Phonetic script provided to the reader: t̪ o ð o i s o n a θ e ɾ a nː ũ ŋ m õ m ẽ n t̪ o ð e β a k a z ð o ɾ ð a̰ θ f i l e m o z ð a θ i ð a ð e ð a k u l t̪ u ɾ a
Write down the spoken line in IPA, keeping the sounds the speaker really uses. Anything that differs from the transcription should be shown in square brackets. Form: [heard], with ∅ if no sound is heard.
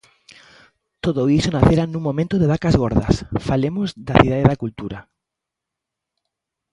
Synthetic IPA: t̪ o ð o i s o n a θ e ɾ a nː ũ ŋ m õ m ẽ n t̪ o ð e β a k a z [ɣ] o ɾ ð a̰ [s] f [a] l e m o z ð a θ i ð a ð e ð a k u l t̪ u ɾ a

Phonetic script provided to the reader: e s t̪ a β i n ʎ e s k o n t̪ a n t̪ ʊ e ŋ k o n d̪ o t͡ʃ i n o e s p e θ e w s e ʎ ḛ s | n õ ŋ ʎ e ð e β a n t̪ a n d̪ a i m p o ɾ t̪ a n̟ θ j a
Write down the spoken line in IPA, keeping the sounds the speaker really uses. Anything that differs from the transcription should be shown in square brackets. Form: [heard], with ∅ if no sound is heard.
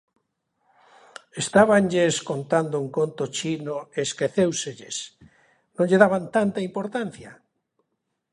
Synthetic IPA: e s t̪ a β [a] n ʎ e s k o n t̪ a n [d̪] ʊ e ŋ k o n [t̪] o t͡ʃ i n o e s [k] e θ e w s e ʎ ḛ s | n õ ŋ ʎ e ð [a] β a n t̪ a n [t̪] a i m p o ɾ t̪ a n̟ θ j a

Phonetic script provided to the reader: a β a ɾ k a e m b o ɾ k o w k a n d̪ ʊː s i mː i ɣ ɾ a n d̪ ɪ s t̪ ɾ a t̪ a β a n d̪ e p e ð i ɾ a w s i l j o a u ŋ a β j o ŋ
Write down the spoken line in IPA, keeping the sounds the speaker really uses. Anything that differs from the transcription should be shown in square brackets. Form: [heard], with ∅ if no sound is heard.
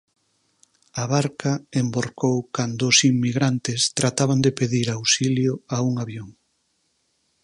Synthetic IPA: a β a ɾ k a e m b o ɾ k o w k a n d̪ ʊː s i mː i ɣ ɾ a n [t̪] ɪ s t̪ ɾ a t̪ a β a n d̪ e p e ð i ɾ a w s i l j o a u ŋ a β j o ŋ

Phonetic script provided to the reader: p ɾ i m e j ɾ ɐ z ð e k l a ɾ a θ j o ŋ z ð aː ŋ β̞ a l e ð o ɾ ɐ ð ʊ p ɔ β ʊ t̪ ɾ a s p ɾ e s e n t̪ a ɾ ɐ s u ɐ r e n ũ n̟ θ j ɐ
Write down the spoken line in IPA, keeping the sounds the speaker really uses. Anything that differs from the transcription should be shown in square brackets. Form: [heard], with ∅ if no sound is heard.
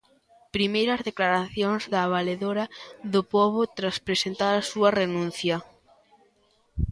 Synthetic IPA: p ɾ i m e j ɾ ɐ z ð e k l a ɾ a θ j o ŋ z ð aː [∅] β̞ a l e ð o ɾ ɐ ð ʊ p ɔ β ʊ t̪ ɾ a s p ɾ e s e n t̪ a ɾ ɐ s u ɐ r e n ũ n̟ θ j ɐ

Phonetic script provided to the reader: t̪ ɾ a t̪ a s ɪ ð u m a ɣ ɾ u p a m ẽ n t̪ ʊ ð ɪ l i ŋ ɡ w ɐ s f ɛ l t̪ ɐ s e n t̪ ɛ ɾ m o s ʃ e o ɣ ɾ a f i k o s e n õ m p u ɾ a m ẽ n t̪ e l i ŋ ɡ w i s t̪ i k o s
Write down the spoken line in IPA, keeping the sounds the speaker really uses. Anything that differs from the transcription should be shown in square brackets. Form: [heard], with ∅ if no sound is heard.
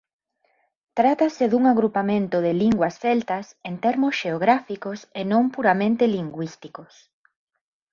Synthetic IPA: t̪ ɾ a t̪ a s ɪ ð u [ŋ] a ɣ ɾ u p a m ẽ n t̪ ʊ ð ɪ l i ŋ ɡ w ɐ s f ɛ l t̪ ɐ s e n t̪ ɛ ɾ m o s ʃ e o ɣ ɾ a f i k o s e n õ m p u ɾ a m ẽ n t̪ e l i ŋ ɡ w i s t̪ i k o s

